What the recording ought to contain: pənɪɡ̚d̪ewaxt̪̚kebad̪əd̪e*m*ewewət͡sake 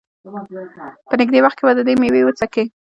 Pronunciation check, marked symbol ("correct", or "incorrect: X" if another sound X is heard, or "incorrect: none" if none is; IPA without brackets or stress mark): correct